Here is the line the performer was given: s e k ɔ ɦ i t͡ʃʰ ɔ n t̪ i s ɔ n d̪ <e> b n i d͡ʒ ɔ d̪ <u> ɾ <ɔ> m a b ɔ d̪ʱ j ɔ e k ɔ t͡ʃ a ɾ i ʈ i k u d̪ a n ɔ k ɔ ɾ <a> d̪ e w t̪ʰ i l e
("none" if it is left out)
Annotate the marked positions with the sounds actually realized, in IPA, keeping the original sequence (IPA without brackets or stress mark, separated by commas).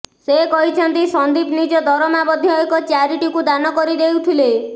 i, ɔ, ɔ, i